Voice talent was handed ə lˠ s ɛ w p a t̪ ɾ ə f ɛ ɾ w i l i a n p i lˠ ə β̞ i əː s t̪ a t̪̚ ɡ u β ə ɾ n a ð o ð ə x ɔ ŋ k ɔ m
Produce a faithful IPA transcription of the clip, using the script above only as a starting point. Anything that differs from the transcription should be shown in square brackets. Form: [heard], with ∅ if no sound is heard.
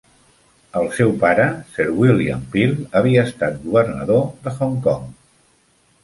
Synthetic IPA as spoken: ə lˠ s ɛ w p a [∅] ɾ ə [s] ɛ ɾ w i l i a [m] p i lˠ ə β̞ i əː s t̪ a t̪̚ ɡ u β ə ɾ n [ə] ð o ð ə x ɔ ŋ k ɔ [ŋ]